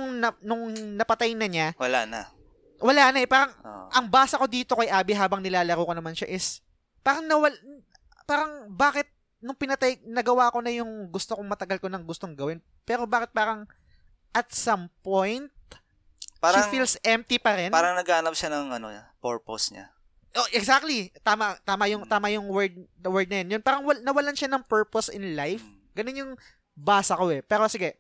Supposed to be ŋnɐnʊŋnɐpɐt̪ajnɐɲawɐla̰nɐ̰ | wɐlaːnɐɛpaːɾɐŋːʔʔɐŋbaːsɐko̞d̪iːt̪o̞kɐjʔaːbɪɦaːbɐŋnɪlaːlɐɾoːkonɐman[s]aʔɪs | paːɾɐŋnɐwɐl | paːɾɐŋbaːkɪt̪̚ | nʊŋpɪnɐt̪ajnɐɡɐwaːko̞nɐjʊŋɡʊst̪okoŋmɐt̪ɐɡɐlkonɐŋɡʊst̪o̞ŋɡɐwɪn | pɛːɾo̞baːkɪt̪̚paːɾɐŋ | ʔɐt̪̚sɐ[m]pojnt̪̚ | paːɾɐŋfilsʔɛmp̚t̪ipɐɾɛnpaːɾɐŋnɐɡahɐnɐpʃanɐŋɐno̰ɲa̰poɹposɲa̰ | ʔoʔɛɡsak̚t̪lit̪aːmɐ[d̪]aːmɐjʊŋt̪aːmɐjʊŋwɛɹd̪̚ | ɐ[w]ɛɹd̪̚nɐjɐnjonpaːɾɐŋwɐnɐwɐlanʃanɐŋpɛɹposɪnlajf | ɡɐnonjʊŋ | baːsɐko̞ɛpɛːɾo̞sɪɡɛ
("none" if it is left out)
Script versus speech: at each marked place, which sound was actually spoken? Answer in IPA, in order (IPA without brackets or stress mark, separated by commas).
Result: ʃ, m, t̪, w